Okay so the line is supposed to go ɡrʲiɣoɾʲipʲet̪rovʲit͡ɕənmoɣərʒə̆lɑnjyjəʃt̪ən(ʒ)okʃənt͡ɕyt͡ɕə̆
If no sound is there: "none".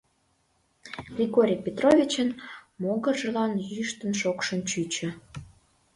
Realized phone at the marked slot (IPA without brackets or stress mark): ʃ